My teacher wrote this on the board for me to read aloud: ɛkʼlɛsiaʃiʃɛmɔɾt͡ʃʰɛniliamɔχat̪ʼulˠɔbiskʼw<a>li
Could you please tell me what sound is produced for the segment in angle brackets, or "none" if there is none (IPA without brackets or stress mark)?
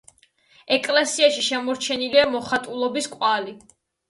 a